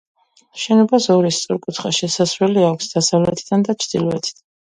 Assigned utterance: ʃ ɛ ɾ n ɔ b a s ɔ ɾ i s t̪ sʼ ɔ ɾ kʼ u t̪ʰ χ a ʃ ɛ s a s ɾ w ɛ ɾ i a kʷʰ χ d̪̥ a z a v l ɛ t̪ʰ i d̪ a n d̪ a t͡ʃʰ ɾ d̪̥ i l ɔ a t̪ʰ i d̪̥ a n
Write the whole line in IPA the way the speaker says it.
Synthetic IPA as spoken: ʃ ɛ n ɔ b a s ɔ ɾ i s t̪ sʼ ɔ ɾ kʼ u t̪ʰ χ a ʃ ɛ s a s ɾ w ɛ l i a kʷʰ s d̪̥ a s a v l ɛ t̪ʰ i d̪ a n d̪ a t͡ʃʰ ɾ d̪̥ i l ɔ ɛ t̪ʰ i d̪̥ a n